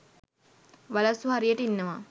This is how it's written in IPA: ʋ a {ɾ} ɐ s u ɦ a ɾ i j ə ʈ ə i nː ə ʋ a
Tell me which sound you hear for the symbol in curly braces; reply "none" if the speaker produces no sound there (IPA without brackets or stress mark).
l